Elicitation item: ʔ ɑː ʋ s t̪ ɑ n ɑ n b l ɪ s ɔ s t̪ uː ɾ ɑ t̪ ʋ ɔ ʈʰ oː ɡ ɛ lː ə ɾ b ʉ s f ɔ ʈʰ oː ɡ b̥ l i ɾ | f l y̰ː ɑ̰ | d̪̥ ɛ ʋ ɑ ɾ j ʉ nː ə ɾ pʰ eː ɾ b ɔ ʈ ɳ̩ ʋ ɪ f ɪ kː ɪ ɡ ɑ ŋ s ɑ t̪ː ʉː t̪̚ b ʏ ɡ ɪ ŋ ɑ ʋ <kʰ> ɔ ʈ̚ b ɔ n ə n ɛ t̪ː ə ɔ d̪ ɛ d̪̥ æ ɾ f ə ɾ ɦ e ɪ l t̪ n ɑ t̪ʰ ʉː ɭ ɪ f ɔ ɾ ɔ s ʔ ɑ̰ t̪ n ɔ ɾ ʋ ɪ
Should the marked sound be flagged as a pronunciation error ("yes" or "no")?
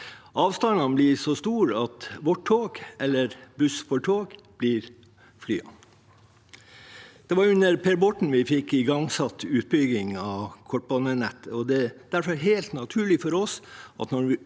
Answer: no